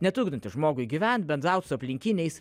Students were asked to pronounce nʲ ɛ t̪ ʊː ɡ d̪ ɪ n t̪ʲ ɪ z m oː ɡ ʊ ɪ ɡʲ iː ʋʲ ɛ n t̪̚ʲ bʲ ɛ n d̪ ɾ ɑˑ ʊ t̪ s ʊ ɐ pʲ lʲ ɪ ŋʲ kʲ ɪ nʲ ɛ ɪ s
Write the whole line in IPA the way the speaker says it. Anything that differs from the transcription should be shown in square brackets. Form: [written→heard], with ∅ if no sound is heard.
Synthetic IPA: nʲ ɛ t̪ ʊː ɡ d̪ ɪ n t̪ʲ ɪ [z→ʒ] m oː ɡ ʊ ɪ ɡʲ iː ʋʲ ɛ n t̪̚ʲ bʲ ɛ n d̪ ɾ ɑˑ ʊ t̪ s ʊ ɐ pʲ lʲ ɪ ŋʲ kʲ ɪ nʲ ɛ ɪ s